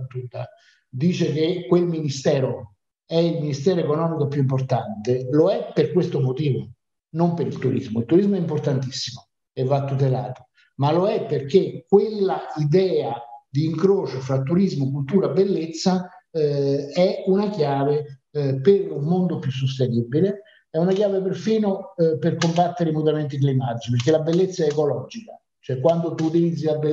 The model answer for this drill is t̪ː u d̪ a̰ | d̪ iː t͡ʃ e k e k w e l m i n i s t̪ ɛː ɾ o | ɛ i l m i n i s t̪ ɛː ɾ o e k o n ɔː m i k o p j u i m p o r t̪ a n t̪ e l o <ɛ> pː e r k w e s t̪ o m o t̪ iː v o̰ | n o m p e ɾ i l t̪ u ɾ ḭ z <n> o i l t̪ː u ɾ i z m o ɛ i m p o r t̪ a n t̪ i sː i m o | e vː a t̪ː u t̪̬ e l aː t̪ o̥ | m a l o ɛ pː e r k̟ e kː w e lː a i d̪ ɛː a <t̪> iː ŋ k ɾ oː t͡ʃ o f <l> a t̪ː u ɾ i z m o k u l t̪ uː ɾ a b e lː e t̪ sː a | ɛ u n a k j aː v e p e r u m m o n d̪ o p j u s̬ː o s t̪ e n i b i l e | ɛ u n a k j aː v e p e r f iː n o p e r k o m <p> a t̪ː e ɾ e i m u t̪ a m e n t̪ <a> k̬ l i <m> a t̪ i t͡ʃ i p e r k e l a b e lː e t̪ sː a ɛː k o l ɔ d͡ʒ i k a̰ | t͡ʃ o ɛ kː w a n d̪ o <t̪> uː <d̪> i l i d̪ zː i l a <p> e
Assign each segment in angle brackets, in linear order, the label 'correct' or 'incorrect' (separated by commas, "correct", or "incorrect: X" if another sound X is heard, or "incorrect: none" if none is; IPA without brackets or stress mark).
correct, incorrect: m, incorrect: d̪, incorrect: ɾ, incorrect: b, incorrect: i, correct, correct, incorrect: t̪, incorrect: b